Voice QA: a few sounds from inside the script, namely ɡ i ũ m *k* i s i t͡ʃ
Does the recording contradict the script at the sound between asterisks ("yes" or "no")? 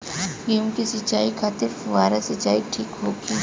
no